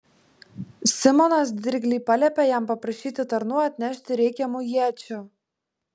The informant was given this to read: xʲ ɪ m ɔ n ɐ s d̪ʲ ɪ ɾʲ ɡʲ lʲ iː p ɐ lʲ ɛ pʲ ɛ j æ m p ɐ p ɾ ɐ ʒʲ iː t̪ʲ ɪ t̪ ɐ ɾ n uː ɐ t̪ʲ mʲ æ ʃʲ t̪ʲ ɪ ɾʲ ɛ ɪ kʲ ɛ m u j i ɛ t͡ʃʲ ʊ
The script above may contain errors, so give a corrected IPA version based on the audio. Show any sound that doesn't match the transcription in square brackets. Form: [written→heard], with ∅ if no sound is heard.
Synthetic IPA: [xʲ→sʲ] ɪ m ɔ n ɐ s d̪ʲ ɪ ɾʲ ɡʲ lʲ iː p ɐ lʲ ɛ pʲ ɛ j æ m p ɐ p ɾ ɐ [ʒʲ→ʃʲ] iː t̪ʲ ɪ t̪ ɐ ɾ n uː ɐ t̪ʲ [mʲ→nʲ] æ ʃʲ t̪ʲ ɪ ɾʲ ɛ ɪ kʲ ɛ m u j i ɛ t͡ʃʲ ʊ